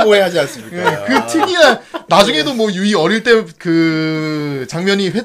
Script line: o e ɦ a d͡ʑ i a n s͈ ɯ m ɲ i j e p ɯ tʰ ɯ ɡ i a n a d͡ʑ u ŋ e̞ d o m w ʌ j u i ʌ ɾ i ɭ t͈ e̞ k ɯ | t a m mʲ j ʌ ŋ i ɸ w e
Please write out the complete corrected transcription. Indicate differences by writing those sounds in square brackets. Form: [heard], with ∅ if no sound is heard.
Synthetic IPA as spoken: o e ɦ a d͡ʑ i a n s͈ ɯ m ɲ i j e [k] ɯ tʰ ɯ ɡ i a n a d͡ʑ u ŋ e̞ d o m w ʌ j u i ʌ ɾ i ɭ t͈ e̞ k ɯ | [t͡ɕ] a [ŋ] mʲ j ʌ [ɲ] i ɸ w e